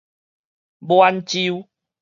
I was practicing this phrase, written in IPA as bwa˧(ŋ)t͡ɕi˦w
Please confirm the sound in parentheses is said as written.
no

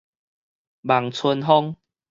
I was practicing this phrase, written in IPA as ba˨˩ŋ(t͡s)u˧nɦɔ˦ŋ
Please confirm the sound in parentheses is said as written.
no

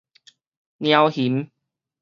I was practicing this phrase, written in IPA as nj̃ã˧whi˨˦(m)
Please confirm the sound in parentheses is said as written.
yes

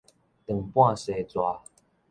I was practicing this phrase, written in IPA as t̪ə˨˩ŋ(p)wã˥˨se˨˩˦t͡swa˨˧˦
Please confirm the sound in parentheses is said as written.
yes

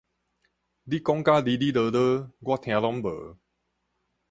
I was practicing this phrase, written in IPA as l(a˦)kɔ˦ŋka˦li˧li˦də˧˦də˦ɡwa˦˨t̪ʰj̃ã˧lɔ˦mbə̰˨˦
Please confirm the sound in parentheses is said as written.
no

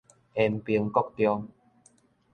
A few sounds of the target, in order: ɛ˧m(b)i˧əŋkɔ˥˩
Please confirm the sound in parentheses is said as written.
no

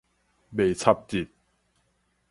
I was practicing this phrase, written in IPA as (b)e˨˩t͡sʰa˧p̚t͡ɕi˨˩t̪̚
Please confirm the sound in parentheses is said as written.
yes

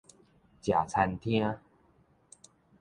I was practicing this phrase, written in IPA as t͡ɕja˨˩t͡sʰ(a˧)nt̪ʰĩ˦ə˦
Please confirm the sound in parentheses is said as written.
yes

